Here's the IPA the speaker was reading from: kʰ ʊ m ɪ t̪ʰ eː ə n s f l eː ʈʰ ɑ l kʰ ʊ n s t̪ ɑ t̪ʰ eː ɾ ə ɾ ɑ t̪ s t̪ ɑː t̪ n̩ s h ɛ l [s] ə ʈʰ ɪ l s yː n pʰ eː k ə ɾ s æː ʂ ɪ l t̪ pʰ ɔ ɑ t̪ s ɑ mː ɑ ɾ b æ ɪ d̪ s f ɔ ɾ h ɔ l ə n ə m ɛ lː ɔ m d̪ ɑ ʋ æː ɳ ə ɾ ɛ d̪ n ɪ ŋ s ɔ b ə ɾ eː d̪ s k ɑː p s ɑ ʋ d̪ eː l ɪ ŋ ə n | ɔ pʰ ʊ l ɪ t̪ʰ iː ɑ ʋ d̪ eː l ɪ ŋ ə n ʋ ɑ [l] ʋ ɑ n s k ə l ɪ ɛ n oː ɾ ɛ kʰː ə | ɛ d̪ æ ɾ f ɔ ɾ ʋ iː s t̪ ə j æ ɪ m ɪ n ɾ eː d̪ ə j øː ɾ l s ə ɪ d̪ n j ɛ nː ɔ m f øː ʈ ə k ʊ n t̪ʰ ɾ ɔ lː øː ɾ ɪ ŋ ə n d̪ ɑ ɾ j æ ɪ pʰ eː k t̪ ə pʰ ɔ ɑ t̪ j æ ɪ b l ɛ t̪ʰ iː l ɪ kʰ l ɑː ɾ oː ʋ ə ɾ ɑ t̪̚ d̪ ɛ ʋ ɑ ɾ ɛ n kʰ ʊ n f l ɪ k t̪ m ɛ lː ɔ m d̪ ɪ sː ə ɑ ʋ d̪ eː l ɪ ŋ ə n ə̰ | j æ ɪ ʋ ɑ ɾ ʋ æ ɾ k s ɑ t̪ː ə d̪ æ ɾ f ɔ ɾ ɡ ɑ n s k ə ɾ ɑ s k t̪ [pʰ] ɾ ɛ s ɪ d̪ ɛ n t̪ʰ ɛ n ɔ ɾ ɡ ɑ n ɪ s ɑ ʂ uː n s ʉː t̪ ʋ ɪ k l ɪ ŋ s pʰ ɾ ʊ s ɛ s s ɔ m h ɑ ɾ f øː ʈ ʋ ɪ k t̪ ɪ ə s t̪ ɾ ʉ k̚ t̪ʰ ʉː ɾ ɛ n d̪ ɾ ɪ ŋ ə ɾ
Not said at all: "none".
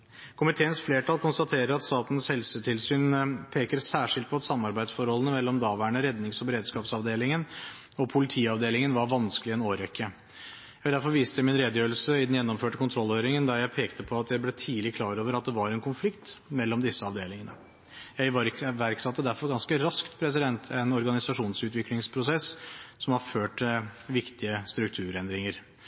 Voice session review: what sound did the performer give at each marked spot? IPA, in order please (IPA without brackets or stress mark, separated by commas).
s, ɾ, pʰ